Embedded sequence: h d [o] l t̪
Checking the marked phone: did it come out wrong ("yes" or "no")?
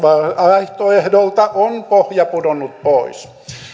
no